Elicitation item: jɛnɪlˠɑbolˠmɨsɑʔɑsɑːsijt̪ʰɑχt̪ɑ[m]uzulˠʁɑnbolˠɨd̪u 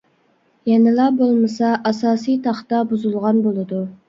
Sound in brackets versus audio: incorrect: b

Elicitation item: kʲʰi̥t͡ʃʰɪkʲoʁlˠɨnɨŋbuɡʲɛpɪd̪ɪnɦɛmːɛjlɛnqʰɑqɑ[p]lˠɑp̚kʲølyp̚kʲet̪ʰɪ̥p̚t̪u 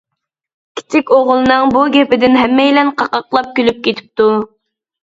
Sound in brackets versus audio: incorrect: q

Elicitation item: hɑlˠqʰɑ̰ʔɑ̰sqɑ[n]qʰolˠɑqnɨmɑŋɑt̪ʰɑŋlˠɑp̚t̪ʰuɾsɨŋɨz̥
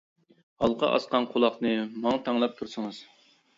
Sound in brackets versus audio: correct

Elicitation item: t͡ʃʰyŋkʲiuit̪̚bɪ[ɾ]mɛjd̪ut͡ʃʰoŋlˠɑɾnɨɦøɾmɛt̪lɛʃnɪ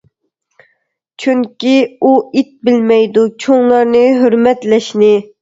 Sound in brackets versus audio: incorrect: l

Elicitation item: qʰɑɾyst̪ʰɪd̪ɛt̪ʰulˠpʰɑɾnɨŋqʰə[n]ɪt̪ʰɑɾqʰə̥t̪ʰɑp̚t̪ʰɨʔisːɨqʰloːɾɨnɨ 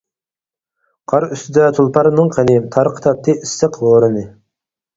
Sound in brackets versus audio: correct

